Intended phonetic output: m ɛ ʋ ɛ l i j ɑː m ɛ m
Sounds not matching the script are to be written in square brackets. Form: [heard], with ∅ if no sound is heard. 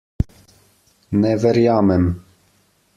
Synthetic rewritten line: [n] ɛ [v] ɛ [ɾ] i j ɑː m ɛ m